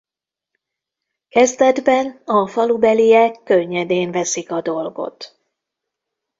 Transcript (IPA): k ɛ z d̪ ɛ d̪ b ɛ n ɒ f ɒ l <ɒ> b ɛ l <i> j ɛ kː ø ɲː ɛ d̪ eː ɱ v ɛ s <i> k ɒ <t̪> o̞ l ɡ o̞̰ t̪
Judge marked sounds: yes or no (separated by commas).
no, yes, yes, no